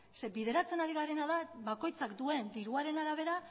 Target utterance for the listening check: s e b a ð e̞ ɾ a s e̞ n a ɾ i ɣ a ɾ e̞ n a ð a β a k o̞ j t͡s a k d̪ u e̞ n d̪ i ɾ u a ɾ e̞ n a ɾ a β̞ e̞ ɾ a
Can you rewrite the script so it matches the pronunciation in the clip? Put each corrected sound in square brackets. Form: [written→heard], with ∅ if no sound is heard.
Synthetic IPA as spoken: s e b [a→i] ð e̞ ɾ a [s→t͡s] e̞ n a ɾ i ɣ a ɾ e̞ n a ð a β a k o̞ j t͡s a k d̪ u e̞ n d̪ i ɾ u a ɾ e̞ n a ɾ a β̞ e̞ ɾ a